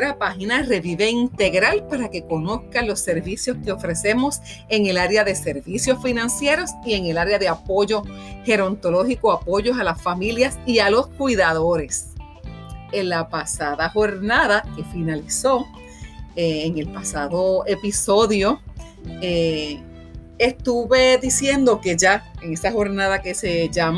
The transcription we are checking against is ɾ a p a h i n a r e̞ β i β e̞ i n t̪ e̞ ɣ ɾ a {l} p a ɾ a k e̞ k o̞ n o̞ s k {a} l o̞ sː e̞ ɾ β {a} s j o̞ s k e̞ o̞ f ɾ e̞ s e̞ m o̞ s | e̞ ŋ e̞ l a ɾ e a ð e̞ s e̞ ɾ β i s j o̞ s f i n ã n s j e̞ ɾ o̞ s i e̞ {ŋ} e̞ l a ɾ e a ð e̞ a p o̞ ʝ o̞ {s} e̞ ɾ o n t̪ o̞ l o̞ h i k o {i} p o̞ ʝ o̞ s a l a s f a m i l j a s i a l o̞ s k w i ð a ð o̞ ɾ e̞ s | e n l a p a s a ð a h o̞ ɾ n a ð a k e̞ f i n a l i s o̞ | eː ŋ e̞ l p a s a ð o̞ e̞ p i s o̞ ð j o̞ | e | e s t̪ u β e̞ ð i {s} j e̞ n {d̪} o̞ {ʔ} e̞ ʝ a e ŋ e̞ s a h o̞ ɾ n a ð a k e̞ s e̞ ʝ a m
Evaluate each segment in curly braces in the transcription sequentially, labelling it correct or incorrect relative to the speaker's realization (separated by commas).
correct, correct, incorrect, correct, incorrect, incorrect, correct, correct, incorrect